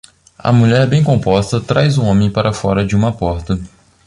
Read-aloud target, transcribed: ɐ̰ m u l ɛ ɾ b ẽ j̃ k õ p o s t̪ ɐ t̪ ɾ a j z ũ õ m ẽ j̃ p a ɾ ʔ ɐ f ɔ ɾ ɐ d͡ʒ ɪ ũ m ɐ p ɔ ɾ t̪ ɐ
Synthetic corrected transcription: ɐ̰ m u ʎ ɛ ɾ b ẽ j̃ k õ p ɔ s t̪ ɐ t̪ ɾ a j z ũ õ m ẽ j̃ p a ɾ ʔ ɐ f ɔ ɾ ɐ d͡ʒ ɪ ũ m ɐ p ɔ ɾ t̪ ɐ